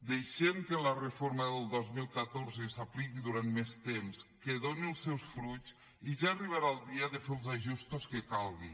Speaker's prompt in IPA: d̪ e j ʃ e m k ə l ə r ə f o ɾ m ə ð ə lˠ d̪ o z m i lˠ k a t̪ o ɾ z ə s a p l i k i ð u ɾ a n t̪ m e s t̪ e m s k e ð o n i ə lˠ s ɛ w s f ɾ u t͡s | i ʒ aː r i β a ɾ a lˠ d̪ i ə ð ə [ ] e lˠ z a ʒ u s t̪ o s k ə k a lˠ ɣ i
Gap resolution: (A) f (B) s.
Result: A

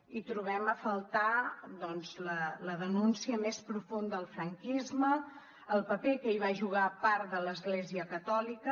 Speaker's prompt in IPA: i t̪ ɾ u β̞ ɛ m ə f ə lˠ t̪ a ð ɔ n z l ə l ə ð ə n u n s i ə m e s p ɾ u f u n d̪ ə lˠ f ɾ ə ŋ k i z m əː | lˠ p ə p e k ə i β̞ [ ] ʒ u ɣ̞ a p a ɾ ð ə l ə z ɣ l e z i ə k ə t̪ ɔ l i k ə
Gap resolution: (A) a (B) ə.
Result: A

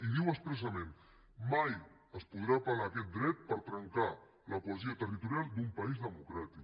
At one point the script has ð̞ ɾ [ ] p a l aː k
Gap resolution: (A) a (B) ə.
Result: A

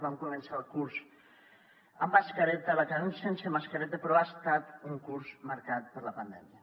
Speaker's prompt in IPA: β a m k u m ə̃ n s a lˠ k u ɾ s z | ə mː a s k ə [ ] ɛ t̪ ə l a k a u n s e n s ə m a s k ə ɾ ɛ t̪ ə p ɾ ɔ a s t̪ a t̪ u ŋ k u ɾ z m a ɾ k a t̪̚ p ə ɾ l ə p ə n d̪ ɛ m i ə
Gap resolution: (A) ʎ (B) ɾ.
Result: B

